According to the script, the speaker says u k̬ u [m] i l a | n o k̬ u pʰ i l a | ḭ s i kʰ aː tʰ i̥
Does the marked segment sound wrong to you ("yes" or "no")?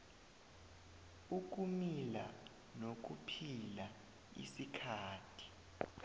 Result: no